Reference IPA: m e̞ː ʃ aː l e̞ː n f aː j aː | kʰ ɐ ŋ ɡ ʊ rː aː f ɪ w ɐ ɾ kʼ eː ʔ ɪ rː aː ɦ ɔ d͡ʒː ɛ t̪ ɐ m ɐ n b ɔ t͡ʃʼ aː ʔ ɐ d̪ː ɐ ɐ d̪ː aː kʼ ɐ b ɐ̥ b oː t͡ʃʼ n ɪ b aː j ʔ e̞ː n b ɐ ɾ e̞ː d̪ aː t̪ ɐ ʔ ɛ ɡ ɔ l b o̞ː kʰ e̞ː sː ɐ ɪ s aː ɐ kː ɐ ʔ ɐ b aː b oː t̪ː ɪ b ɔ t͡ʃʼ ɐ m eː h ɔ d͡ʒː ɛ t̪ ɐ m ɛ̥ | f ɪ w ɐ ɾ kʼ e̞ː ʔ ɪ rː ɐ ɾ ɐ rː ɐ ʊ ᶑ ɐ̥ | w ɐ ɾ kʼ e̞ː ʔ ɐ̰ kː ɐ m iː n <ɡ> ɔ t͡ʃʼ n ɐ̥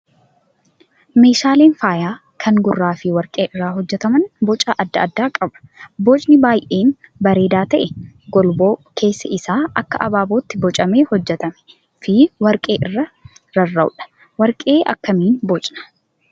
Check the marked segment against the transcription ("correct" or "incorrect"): incorrect